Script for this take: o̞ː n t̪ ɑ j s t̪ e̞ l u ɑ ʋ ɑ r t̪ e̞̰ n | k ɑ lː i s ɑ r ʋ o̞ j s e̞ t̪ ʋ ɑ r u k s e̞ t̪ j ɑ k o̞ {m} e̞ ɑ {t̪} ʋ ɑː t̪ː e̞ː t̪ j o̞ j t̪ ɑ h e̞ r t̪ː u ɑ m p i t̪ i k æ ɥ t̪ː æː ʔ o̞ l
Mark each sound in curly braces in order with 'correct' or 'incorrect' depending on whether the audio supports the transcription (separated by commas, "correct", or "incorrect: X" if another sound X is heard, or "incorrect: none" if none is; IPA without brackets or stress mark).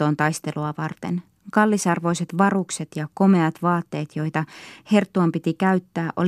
correct, correct